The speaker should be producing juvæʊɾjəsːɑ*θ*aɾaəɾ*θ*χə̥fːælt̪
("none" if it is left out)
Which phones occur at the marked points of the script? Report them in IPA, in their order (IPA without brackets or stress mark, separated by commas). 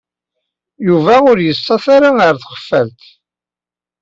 θ, θ